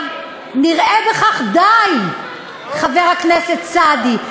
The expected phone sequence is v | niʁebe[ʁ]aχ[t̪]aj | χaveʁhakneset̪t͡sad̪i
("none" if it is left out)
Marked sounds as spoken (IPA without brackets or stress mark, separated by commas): χ, d̪